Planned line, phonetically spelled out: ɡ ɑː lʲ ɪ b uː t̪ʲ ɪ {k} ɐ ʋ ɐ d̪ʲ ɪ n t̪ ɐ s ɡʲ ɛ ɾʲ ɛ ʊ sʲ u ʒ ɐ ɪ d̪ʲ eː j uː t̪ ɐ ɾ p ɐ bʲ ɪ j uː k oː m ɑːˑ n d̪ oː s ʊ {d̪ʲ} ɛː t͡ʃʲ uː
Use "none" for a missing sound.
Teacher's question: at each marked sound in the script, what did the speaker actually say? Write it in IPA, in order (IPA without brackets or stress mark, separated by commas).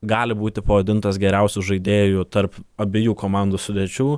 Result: p, d̪ʲ